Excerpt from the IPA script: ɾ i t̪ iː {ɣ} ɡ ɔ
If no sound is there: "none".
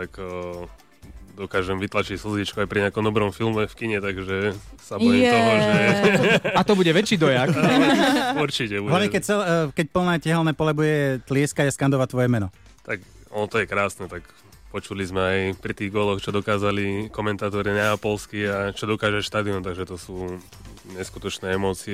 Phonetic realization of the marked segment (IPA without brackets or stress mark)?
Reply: ɣ